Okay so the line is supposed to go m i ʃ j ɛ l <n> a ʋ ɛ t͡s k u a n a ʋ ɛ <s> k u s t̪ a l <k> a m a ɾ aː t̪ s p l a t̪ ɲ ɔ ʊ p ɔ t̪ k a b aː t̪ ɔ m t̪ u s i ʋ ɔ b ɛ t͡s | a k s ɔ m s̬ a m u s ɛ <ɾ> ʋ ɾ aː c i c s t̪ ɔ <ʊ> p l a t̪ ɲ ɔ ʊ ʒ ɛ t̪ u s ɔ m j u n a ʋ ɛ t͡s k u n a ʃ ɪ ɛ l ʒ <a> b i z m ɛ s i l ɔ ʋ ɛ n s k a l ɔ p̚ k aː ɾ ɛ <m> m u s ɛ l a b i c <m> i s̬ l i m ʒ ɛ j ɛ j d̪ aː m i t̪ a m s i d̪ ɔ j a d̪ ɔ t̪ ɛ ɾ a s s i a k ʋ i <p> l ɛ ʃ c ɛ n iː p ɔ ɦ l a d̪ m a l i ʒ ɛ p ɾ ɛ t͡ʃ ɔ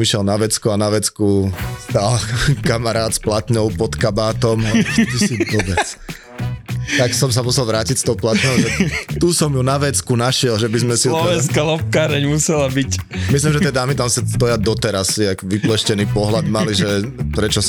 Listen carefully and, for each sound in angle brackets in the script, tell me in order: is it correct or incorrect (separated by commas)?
correct, incorrect, correct, incorrect, correct, incorrect, incorrect, correct, correct